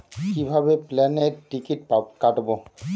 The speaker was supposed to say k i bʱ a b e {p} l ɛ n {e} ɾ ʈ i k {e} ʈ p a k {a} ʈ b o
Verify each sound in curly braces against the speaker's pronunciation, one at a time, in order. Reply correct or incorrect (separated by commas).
correct, correct, incorrect, correct